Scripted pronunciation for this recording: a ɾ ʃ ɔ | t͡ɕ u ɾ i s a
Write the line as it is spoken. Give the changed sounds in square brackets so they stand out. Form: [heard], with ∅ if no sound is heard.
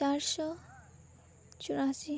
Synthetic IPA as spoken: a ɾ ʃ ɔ | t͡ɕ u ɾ [a] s [i]